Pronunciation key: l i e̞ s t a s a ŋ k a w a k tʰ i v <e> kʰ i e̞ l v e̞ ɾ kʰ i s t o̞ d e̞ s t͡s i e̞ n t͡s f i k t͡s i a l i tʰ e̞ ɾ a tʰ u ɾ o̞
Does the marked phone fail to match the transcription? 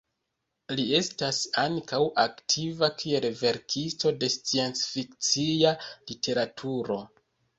yes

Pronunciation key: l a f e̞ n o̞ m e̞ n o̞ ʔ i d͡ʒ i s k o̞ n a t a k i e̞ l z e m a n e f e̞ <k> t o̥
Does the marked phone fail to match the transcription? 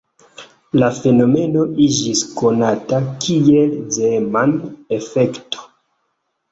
no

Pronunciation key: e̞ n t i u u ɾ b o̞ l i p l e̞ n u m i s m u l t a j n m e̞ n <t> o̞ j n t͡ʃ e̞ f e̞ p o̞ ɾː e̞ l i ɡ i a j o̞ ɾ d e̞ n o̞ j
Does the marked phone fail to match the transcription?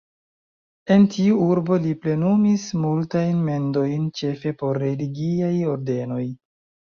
yes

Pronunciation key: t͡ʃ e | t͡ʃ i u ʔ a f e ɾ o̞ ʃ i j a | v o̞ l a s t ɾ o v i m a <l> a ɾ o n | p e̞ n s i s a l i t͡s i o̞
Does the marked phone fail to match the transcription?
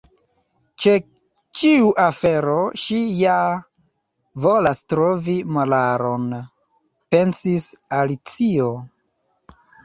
no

